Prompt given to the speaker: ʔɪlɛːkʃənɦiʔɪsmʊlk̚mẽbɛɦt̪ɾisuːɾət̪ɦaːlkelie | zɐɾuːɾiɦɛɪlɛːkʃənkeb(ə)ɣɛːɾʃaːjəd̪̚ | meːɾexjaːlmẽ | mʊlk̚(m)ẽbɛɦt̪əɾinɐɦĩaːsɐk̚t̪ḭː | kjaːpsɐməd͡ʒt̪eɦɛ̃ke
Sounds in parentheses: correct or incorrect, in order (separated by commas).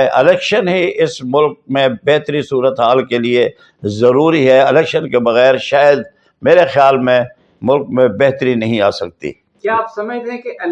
incorrect, correct